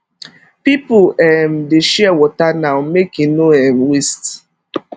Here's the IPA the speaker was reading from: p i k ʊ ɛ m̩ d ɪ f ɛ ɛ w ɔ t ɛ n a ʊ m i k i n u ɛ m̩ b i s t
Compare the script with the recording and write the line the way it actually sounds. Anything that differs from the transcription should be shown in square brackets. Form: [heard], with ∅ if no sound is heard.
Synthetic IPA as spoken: p i [p] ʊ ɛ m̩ d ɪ [ʃ] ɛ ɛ w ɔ t [a] n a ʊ m [e] k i n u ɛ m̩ [w] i s t

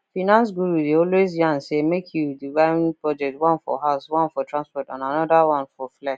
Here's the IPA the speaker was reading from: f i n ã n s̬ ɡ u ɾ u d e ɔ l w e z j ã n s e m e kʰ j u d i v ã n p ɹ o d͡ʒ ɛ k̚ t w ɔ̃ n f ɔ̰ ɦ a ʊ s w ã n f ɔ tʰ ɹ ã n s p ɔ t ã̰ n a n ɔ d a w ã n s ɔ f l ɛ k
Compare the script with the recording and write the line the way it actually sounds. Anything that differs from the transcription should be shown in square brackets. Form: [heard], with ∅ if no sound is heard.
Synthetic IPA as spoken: f i n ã n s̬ ɡ u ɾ u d e ɔ l w e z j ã n s e m e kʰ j u d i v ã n p ɹ [ɔ] d͡ʒ ɛ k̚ t w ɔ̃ n f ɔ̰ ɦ a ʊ s w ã n f ɔ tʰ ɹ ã n s p ɔ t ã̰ n a n ɔ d a w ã n [f] ɔ f l ɛ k

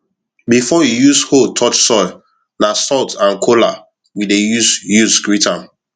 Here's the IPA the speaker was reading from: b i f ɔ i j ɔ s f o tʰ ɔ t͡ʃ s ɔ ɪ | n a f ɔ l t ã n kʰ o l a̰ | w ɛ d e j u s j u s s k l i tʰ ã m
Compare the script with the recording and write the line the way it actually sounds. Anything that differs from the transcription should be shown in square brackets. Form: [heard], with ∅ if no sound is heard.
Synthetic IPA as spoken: b i f ɔ i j [u] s [h] o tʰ ɔ t͡ʃ s ɔ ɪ | n a [s] ɔ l t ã n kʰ o l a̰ | w [i] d e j u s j u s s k [ɹ] i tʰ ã m

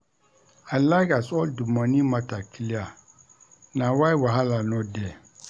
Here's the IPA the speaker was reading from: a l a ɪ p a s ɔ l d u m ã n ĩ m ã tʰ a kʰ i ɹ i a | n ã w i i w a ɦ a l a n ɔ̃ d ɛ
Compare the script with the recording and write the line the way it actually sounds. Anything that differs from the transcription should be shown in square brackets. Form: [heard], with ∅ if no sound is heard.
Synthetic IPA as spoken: a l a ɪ [k] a s ɔ l d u m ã n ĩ m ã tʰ a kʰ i [l] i a | n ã w [a] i w a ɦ a l a n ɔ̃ d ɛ

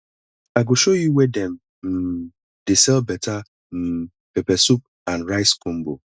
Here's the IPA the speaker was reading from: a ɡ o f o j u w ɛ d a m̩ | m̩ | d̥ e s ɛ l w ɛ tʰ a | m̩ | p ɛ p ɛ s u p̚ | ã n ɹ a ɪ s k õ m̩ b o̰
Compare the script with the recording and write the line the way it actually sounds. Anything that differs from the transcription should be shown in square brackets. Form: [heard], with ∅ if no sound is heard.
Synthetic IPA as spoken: a ɡ o [ʃ] o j u w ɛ d [ɛ] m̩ | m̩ | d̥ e s ɛ l [b] ɛ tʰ a | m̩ | p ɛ p ɛ s u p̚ | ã n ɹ a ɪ s k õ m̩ b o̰

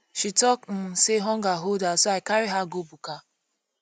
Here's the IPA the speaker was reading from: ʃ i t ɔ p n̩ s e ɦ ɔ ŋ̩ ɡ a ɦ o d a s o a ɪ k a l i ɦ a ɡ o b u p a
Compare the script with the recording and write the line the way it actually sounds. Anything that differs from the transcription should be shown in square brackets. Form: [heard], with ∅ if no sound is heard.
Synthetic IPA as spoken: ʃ i t ɔ [k] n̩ s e ɦ ɔ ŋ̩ ɡ a ɦ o d a s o a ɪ k a [ɾ] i ɦ a ɡ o b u [k] a

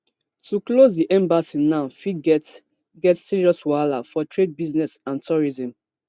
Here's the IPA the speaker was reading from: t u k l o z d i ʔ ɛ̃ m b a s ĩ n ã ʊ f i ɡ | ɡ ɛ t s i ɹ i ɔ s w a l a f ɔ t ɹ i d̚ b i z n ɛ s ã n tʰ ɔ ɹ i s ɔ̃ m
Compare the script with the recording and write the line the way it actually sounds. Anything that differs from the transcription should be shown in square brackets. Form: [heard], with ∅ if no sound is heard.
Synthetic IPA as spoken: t u k l o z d i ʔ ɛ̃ m b a s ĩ n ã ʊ f i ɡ | ɡ ɛ t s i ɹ i ɔ s w a l a f ɔ t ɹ [e] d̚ b i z n ɛ s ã n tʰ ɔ ɹ i [z] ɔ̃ m

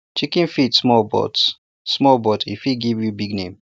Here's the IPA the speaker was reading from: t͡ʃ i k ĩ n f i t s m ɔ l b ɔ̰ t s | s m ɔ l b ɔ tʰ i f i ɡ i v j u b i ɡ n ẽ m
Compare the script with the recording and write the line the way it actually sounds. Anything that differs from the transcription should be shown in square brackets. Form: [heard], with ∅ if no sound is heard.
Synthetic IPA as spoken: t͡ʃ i k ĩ n f i t s m ɔ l b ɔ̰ t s | s m ɔ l b ɔ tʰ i f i ɡ i v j u b i ɡ n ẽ m

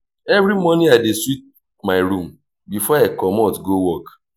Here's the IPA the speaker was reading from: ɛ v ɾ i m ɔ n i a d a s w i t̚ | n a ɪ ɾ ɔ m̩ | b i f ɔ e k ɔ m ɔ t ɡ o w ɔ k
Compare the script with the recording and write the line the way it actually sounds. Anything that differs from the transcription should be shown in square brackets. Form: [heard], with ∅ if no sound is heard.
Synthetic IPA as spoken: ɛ v ɾ i m ɔ n i a d [e] s w i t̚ | [m] a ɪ ɾ [u] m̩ | b i f ɔ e k ɔ m ɔ t ɡ o w ɔ k

